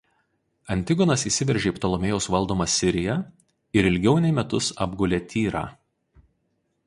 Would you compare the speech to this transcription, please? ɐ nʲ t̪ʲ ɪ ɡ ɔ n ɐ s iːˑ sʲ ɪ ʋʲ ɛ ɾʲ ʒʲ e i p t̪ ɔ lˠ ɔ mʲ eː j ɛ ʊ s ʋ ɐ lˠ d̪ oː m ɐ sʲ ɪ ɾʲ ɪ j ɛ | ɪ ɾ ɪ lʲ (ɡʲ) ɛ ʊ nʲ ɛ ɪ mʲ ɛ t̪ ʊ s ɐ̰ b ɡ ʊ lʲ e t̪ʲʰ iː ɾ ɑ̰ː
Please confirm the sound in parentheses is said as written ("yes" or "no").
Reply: yes